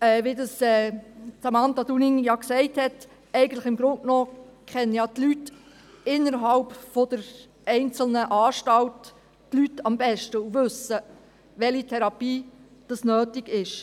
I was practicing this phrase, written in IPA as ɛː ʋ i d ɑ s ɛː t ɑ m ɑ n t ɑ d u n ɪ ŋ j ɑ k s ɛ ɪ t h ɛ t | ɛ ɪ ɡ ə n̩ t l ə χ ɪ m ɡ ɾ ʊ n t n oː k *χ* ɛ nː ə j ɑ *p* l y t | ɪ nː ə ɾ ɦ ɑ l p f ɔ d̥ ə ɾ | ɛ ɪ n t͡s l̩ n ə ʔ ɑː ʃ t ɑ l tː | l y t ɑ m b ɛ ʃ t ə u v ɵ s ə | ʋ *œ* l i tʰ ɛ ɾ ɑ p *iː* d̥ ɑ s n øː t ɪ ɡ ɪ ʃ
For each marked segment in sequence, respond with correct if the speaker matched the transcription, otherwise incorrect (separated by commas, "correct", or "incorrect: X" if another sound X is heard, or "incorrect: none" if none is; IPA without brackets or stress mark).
correct, incorrect: t, incorrect: ɛ, correct